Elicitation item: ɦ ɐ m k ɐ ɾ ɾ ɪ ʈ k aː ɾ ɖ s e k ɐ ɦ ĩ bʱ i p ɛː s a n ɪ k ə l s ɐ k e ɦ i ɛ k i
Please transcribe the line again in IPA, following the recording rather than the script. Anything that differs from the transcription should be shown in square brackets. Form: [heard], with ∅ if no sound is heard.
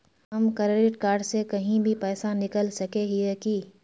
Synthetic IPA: ɦ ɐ m k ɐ ɾ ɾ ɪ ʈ k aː ɾ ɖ s e k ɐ ɦ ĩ bʱ i p ɛː s a n ɪ k ə l s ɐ k e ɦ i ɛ k i